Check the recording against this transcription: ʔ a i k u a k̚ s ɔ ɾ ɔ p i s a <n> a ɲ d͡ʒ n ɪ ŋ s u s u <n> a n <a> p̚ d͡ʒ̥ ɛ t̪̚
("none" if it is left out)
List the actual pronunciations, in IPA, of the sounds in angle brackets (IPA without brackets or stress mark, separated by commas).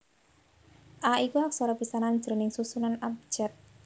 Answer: n, n, a